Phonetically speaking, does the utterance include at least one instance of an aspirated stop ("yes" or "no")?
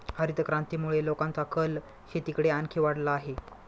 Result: yes